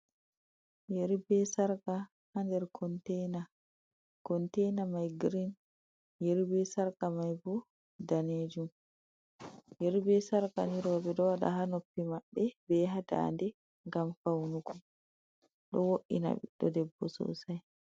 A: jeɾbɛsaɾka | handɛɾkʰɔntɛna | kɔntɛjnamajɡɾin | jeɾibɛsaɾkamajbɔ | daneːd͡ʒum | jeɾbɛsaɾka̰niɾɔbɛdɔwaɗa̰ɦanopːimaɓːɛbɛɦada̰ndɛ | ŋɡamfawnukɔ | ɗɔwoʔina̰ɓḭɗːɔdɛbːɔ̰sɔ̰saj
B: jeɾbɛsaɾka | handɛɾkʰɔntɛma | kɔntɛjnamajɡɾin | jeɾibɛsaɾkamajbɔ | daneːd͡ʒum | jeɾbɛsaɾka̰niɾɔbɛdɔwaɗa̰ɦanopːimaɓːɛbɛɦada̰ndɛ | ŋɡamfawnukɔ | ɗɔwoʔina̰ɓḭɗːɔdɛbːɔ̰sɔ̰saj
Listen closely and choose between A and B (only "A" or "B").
A